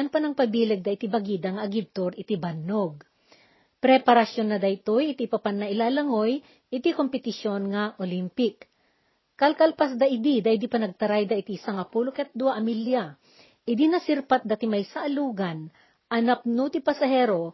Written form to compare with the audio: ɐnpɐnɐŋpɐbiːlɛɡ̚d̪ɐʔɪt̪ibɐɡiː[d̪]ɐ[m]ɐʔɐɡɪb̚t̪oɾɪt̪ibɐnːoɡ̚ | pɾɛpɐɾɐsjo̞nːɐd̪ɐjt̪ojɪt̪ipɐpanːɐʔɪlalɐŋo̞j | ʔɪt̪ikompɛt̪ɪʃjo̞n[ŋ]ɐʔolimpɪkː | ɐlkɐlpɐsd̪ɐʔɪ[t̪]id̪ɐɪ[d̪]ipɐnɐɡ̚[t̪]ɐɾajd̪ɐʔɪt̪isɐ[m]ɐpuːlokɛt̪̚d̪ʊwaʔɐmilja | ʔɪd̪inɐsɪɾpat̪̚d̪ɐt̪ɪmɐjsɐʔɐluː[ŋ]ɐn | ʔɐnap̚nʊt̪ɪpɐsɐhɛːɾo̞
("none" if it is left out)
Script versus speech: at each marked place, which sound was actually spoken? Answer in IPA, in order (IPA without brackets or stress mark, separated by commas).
d̪, ŋ, ŋ, d̪, d̪, t̪, ŋ, ɡ